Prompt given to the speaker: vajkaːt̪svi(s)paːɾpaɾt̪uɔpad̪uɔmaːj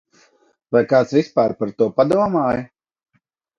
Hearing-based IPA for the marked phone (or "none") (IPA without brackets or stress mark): s